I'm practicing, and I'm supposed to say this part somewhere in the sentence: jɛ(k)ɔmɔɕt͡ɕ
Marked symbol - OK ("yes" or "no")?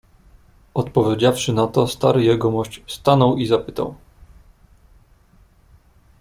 no